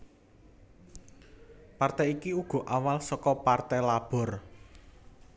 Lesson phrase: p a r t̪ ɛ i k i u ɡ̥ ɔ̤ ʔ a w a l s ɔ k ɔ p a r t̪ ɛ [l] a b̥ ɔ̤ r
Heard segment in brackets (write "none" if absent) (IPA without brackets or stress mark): l